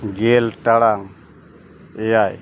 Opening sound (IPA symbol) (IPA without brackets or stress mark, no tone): ɡ